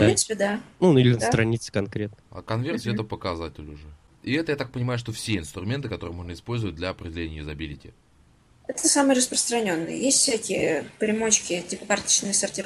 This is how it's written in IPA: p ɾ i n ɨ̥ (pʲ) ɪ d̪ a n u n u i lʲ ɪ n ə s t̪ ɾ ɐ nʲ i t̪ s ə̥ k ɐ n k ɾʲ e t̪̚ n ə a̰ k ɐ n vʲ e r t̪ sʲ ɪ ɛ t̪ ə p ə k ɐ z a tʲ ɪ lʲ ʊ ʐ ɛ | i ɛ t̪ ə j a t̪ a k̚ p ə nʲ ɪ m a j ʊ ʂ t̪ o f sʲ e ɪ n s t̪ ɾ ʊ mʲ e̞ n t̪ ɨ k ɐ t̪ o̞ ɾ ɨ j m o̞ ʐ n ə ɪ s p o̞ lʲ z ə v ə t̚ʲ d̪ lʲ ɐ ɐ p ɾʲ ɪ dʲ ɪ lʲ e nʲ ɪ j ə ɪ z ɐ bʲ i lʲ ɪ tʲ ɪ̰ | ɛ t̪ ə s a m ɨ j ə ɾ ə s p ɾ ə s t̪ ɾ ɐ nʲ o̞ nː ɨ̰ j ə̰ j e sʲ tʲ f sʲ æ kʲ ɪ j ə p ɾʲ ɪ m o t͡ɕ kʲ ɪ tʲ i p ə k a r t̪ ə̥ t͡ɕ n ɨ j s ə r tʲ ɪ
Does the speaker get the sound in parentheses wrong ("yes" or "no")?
no